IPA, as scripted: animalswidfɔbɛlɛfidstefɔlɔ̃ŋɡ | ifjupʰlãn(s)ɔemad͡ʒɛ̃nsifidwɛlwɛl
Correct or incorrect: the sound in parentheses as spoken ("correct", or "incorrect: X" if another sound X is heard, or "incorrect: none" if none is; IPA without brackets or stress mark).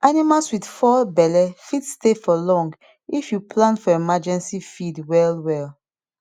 incorrect: f